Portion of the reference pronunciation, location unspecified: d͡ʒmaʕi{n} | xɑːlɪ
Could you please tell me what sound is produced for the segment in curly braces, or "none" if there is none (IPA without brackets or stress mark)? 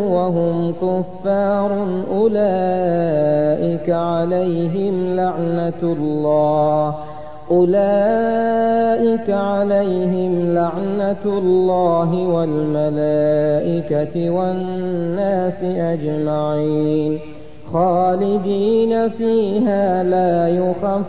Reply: n